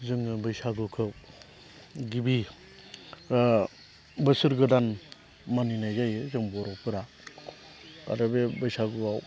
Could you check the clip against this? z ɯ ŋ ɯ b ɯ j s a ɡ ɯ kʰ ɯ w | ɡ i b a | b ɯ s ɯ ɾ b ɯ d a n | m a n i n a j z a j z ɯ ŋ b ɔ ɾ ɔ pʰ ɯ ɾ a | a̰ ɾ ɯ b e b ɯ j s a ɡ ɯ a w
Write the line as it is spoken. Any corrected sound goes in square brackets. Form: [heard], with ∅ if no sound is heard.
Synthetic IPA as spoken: z ɯ ŋ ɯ b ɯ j s a ɡ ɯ kʰ ɯ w | ɡ i b [i] | b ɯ s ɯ ɾ [ɡ] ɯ d a n | m a n i n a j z a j z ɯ ŋ b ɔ ɾ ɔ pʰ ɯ ɾ a | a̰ ɾ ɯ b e b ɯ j s a ɡ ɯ a w